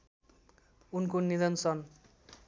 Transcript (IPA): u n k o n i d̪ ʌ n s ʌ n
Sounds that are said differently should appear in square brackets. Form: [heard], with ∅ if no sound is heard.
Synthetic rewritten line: u n k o n i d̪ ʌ n s ʌ n

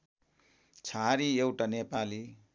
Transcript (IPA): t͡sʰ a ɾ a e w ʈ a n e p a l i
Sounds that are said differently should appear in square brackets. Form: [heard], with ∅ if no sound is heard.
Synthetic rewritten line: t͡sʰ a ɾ [i] e w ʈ a n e p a l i

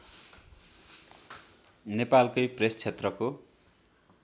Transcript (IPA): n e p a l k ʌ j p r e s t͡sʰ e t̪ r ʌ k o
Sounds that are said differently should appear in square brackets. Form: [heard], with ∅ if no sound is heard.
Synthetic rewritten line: n e p a l k ʌ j p r e s t͡sʰ e t̪ r ʌ k o

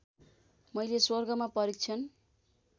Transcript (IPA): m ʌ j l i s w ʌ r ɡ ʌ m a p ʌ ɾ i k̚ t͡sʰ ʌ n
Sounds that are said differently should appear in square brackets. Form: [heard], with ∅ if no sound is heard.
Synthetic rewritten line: m ʌ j l [e] s w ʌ r ɡ ʌ m a p ʌ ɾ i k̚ t͡sʰ ʌ n

